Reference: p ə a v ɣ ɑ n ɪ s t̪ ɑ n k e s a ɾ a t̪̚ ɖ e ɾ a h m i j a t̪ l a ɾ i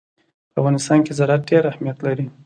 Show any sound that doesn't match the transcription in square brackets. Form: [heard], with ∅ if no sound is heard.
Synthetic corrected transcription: p ə a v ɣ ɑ n ɪ s t̪ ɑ n k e [z] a ɾ a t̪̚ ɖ e ɾ a h m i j a t̪ l a ɾ i